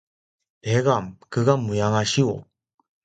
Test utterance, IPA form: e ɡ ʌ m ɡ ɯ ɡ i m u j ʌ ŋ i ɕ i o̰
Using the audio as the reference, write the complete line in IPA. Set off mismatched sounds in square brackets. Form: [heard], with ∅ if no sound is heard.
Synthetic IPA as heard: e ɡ [a] m [k] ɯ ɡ [a] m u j [a] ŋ [a] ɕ i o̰